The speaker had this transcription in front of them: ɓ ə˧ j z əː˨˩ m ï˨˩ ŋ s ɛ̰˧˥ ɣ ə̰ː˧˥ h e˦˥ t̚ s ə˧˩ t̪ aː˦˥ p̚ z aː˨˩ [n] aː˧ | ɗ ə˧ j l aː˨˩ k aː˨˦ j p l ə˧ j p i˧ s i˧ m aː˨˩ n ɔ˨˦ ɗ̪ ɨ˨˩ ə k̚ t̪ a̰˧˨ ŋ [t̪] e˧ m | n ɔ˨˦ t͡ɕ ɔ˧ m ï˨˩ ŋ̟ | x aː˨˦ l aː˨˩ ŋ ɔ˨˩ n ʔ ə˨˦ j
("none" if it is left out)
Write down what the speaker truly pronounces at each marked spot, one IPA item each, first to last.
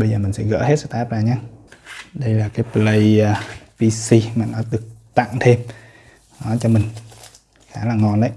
ɲ, t̪ʰ

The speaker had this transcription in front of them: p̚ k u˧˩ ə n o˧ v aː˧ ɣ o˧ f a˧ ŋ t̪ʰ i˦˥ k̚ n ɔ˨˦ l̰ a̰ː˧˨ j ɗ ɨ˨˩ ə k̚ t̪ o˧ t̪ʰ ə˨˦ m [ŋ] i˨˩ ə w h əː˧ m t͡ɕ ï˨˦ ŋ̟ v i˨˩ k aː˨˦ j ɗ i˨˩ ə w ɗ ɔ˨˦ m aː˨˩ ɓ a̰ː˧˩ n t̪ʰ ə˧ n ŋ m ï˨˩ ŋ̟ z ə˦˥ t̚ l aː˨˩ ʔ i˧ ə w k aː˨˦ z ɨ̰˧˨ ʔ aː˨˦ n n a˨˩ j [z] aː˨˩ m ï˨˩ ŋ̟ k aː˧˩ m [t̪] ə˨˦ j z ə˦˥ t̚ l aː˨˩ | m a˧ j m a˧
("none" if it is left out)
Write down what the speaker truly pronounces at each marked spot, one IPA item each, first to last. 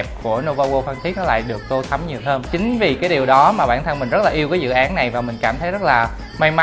ɲ, v, t̪ʰ

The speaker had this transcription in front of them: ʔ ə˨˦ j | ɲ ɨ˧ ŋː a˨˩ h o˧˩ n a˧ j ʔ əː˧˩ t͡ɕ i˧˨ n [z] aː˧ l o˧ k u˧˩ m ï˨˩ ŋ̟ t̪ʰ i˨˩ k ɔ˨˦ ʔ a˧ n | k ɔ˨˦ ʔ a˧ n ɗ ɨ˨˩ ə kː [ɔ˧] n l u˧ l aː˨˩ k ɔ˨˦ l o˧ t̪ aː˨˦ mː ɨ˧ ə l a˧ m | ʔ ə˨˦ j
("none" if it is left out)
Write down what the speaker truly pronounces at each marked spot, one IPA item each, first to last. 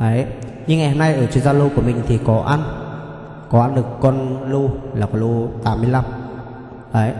z, ɔ˧

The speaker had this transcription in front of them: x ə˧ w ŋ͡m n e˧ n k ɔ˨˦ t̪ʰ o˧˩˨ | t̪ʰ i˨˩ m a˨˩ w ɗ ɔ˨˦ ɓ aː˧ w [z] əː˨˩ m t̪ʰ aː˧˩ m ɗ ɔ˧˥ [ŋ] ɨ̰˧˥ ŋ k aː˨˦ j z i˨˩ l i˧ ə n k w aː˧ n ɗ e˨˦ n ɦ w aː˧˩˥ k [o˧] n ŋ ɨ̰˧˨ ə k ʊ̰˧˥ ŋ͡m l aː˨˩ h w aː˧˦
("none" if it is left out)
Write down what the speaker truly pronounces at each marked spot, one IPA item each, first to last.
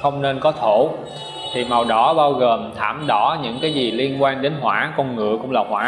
ɣ, ɲ, ɔ˧

